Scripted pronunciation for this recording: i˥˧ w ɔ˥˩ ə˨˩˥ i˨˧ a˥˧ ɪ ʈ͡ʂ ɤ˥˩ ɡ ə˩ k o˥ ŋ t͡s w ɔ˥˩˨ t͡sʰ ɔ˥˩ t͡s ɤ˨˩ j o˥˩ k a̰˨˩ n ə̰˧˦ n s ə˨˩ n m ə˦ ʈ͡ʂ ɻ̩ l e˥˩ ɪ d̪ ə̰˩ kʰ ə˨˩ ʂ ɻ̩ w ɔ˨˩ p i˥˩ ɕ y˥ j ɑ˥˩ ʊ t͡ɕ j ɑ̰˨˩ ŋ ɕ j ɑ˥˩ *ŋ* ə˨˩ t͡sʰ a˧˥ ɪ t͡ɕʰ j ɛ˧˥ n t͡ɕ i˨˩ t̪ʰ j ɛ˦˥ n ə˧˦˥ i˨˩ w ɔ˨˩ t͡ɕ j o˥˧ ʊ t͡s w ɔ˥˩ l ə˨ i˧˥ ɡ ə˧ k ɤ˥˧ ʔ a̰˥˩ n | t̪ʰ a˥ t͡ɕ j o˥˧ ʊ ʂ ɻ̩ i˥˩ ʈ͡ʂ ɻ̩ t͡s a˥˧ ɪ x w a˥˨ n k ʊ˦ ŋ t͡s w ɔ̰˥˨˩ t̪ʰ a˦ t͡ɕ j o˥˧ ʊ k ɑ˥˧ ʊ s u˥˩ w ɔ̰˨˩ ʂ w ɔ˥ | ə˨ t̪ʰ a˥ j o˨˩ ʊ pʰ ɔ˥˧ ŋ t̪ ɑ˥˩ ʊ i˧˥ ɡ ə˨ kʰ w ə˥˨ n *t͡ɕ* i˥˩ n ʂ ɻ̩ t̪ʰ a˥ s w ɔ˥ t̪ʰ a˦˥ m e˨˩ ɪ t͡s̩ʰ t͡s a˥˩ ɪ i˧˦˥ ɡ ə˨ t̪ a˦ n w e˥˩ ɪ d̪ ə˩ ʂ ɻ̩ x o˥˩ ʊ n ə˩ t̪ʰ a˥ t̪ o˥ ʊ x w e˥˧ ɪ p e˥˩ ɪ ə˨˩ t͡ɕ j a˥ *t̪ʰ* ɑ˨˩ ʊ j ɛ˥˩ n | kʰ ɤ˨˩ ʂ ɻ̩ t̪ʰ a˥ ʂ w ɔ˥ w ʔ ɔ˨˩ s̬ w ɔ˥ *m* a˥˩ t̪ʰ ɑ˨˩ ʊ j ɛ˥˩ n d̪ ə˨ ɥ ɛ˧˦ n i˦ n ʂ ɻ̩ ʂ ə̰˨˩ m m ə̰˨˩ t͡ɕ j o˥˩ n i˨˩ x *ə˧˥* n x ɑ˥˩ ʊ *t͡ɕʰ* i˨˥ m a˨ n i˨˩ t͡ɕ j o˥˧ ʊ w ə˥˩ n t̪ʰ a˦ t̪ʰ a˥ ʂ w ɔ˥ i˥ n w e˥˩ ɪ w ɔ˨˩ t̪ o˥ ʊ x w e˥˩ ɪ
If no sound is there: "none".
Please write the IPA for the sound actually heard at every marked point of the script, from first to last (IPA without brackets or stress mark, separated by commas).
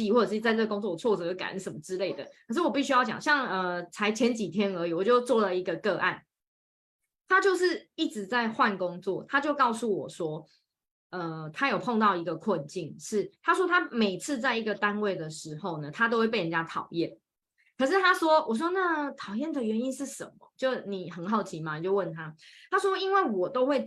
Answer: ŋ, t͡ɕ, t̪ʰ, n, ə˨˩, t͡ɕʰ